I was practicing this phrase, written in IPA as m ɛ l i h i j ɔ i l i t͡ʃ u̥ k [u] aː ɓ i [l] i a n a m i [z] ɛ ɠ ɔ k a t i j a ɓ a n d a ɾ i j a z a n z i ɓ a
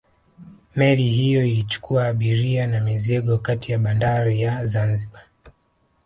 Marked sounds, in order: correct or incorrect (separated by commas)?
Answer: correct, incorrect, correct